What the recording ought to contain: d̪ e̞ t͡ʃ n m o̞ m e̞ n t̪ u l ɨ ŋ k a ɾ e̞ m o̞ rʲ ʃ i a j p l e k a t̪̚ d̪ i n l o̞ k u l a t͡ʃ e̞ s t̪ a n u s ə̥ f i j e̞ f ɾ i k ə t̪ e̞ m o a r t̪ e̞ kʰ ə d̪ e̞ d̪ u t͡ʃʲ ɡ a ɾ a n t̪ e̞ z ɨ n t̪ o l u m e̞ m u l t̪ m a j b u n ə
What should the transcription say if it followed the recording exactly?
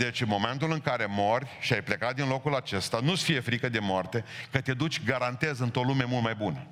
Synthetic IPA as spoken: d̪ e̞ t͡ʃ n m o̞ m e̞ n t̪ u l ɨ ŋ k a ɾ e̞ m o̞ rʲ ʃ i a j p l e k a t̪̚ d̪ i n l o̞ k u l a t͡ʃ e̞ s t̪ a n u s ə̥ f i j e̞ f ɾ i k ə d̪ e̞ m o a r t̪ e̞ k ə t̪ e̞ d̪ u t͡ʃʲ ɡ a ɾ a n t̪ e̞ z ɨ n t̪ o l u m e̞ m u l t̪ m a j b u n ə